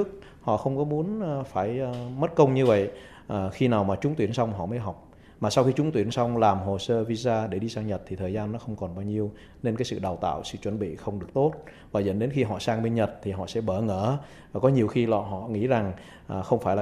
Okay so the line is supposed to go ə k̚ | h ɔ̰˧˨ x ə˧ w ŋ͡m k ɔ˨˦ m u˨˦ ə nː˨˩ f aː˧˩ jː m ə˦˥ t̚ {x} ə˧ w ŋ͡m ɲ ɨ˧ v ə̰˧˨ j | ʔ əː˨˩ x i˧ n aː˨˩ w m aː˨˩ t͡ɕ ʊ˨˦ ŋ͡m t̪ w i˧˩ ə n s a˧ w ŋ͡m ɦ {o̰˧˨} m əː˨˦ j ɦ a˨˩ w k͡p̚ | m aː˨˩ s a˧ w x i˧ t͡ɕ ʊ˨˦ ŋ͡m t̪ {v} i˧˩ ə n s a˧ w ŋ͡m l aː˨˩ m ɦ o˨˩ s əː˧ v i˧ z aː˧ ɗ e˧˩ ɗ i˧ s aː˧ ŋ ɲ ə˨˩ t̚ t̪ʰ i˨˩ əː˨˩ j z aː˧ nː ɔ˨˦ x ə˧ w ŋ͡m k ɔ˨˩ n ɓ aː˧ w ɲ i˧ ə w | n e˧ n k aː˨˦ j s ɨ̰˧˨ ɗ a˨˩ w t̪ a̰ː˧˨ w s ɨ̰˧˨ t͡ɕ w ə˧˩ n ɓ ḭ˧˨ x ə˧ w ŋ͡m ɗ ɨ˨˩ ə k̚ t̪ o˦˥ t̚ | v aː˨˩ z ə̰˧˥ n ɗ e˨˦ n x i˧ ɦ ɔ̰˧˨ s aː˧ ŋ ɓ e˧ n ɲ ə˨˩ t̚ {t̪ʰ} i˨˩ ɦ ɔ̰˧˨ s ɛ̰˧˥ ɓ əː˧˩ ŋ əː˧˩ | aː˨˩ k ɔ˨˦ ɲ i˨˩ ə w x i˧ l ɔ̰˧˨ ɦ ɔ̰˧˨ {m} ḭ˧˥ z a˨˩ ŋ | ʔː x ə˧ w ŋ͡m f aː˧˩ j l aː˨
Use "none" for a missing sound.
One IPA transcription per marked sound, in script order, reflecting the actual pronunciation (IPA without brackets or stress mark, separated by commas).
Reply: k, ɔ̰˧˨, w, t̪ʰ, ŋ